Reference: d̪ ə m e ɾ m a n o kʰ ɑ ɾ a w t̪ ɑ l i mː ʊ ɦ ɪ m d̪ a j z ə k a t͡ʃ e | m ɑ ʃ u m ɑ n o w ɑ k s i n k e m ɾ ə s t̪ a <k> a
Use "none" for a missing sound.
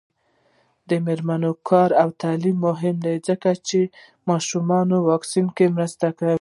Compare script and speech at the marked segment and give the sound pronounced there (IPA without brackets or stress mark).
k